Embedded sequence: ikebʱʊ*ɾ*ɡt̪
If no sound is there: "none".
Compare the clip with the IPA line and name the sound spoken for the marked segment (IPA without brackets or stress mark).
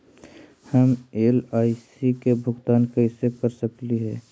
none